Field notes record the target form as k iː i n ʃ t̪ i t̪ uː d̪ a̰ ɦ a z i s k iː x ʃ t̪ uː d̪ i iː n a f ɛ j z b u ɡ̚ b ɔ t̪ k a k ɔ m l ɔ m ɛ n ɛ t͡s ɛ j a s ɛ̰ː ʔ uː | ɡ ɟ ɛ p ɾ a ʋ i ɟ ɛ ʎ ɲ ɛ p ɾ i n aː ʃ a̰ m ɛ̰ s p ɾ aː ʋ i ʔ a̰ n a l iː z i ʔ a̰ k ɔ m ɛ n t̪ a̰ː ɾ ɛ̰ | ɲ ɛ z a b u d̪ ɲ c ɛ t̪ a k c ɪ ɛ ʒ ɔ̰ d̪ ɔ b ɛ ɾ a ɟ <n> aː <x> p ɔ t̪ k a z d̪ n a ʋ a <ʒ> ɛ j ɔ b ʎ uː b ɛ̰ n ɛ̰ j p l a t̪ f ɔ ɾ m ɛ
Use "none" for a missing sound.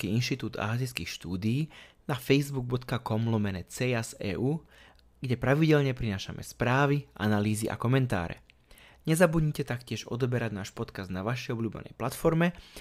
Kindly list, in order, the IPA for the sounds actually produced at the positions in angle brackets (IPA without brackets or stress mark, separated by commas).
n, ʃ, ʃ